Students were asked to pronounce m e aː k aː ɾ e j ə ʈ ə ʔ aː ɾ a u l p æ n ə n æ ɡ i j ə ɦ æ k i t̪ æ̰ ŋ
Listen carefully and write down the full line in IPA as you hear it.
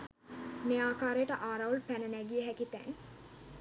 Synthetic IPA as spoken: m e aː k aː ɾ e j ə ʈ ə ʔ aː ɾ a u l p æ n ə n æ ɡ i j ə ɦ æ k i t̪ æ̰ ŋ